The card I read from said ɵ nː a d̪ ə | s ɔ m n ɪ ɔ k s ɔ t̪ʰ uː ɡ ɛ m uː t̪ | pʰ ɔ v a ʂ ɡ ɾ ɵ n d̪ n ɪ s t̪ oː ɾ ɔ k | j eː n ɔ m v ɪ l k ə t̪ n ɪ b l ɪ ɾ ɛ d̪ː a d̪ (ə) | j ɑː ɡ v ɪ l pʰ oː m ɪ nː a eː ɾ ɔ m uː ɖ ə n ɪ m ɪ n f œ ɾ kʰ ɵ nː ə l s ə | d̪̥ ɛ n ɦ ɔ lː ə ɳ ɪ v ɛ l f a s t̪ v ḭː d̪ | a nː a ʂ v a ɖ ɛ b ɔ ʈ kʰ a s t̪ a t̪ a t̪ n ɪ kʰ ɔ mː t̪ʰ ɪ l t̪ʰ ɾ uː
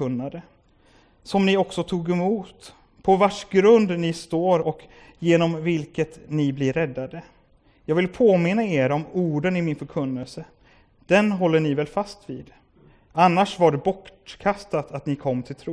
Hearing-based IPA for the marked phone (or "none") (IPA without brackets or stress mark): ə